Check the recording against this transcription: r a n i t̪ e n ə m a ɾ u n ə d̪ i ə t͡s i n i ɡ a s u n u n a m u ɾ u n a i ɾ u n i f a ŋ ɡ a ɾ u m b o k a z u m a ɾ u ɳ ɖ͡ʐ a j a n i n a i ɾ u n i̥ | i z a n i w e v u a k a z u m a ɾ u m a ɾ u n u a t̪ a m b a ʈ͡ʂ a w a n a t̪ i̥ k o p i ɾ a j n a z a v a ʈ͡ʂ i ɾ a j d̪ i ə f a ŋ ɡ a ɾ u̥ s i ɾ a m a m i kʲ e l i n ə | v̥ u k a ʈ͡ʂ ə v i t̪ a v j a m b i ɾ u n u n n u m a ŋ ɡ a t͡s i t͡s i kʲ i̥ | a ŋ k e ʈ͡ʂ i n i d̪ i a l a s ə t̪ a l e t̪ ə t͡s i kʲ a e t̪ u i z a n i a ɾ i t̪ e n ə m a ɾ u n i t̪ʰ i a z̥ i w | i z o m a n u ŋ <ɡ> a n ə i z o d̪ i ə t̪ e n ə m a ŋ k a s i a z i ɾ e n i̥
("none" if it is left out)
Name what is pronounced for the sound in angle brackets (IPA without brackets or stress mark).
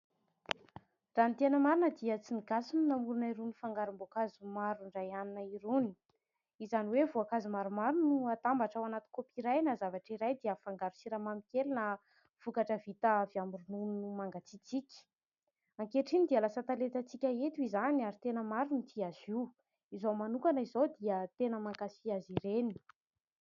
k